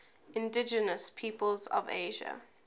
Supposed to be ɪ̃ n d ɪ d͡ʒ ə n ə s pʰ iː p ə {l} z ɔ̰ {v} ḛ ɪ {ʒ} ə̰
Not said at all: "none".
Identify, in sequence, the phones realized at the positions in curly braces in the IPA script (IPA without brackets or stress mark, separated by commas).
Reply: l, v, ʒ